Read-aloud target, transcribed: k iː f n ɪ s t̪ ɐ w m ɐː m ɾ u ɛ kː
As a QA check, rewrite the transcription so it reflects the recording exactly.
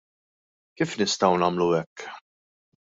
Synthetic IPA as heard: k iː f n ɪ s t̪ ɐ w n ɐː m l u ɛ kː